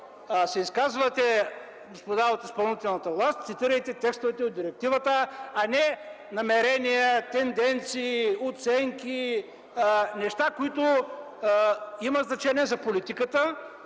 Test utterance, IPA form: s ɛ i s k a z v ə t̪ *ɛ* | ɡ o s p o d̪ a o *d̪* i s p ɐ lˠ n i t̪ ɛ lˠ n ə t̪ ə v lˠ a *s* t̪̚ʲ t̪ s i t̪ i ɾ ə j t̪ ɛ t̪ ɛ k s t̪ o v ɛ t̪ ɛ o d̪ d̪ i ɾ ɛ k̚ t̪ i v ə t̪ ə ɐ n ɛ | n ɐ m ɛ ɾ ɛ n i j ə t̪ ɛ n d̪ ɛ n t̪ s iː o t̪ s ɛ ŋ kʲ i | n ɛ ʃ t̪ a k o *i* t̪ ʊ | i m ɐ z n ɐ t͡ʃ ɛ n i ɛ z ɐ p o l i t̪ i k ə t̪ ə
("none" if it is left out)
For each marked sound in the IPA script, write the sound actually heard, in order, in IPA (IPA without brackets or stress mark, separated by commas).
ɛ, t̪, s, i